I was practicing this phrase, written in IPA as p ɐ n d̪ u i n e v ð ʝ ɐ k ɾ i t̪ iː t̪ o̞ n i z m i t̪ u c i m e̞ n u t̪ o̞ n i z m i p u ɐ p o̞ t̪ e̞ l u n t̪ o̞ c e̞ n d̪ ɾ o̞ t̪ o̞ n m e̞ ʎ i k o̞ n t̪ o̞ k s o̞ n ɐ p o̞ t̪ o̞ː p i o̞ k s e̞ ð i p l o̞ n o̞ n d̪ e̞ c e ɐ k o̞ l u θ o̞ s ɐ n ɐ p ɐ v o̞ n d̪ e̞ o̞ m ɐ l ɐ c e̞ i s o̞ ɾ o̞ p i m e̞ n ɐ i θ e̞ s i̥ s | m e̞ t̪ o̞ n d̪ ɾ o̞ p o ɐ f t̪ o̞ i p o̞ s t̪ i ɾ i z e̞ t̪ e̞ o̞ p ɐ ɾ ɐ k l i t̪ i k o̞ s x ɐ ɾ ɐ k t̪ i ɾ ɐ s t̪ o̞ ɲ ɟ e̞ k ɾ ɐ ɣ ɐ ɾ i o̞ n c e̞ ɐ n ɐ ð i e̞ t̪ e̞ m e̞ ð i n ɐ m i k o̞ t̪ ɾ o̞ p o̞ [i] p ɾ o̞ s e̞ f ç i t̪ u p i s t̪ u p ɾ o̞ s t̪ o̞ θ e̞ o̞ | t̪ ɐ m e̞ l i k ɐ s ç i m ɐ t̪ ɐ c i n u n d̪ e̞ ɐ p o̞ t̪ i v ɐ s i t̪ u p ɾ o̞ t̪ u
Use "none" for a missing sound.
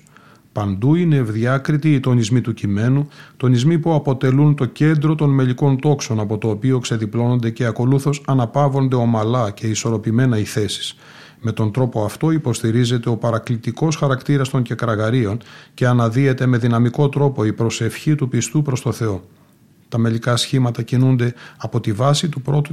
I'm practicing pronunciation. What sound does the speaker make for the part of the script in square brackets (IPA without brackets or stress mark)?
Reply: i